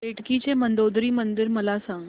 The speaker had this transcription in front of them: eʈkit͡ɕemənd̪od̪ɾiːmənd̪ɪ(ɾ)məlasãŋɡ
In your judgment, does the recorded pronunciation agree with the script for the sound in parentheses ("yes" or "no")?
yes